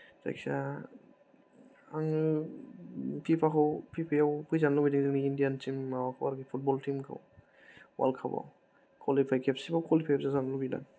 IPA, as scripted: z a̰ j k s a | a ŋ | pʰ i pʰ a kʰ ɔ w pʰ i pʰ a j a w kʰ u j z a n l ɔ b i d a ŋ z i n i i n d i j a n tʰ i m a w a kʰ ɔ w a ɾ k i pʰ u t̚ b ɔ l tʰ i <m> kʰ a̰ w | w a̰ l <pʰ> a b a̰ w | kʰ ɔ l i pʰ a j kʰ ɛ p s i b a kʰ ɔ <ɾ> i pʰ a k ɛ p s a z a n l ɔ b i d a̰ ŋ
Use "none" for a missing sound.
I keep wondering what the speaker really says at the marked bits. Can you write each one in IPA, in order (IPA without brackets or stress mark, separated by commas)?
m, kʰ, l